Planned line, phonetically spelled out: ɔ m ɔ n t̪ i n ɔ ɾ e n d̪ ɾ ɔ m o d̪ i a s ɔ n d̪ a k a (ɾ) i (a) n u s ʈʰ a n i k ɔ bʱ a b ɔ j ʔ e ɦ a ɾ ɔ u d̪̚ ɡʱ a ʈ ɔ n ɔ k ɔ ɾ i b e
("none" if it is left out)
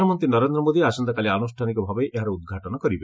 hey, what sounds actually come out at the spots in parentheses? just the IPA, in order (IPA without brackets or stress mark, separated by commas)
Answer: l, a